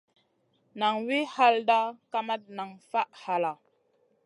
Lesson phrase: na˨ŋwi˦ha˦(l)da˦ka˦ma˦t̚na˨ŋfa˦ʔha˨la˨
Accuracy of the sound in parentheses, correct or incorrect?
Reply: correct